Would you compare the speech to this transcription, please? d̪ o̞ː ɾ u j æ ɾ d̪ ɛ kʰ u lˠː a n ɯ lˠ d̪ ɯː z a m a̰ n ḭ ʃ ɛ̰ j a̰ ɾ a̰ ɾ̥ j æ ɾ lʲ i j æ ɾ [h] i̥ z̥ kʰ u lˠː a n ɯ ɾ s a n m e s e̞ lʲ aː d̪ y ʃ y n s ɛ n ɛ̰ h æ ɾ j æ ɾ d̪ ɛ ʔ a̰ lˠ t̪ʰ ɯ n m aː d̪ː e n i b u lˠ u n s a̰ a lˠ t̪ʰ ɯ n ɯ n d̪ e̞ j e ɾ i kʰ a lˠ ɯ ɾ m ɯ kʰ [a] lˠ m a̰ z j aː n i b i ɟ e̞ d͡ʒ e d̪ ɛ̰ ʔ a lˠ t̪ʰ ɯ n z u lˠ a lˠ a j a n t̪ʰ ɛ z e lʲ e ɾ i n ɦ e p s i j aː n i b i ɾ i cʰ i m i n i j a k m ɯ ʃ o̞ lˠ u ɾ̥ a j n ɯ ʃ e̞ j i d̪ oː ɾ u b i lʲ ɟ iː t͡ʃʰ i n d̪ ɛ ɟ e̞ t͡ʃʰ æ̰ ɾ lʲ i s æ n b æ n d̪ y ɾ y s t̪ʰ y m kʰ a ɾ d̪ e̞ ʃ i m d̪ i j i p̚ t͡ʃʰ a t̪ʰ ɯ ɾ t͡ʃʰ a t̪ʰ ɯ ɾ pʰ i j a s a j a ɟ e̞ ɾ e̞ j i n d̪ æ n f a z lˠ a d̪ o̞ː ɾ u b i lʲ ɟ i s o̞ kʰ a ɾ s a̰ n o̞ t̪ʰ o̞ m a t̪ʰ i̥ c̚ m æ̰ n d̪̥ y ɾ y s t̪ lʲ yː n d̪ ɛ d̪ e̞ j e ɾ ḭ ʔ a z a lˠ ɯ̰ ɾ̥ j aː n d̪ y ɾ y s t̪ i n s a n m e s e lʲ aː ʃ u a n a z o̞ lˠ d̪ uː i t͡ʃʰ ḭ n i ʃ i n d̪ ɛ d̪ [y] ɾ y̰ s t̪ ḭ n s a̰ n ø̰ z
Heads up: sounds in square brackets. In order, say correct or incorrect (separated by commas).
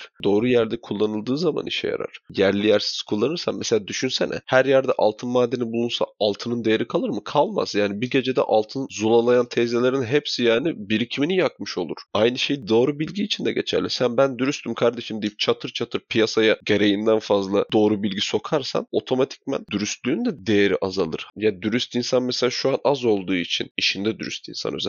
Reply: incorrect, correct, correct